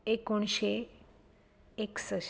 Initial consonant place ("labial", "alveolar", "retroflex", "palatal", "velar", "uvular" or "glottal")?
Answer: velar